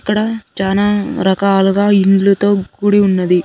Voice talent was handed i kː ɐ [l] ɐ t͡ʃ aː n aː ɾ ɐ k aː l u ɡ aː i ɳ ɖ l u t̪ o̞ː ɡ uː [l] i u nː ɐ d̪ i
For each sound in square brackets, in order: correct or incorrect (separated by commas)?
incorrect, incorrect